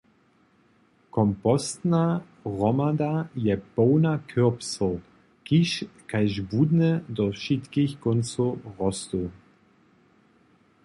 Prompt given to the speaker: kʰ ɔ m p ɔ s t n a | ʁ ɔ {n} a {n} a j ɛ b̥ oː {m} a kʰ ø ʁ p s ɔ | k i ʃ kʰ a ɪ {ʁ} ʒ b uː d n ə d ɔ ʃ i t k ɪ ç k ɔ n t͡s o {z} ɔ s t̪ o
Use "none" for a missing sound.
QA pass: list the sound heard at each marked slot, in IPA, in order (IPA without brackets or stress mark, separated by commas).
m, d, n, none, ʁ